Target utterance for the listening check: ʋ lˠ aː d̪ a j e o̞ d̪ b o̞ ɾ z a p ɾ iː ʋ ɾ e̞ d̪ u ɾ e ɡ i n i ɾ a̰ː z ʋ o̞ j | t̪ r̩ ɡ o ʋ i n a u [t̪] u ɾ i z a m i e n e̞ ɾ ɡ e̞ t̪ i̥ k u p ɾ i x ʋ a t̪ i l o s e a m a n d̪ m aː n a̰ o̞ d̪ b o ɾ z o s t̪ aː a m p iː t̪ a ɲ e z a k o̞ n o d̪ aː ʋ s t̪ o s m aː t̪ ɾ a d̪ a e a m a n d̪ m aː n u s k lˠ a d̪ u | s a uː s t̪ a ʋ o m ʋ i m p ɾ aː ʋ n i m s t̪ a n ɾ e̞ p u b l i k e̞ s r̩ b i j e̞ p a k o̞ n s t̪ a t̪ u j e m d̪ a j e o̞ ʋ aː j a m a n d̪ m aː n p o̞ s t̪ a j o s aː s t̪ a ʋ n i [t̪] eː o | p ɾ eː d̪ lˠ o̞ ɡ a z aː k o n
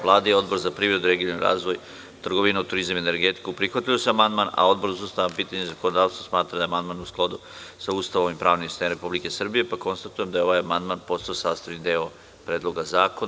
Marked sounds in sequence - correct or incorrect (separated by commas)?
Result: correct, incorrect